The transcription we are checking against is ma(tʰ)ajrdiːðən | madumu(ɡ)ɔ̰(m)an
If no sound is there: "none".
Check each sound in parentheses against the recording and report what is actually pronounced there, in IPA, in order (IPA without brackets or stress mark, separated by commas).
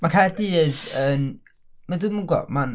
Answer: kʰ, ɡ, m